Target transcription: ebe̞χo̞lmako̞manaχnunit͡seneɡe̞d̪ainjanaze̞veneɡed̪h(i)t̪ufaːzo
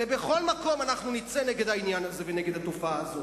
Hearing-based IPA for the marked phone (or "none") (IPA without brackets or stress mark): a